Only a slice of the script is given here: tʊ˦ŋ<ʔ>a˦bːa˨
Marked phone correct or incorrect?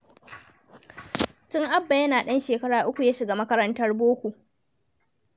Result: correct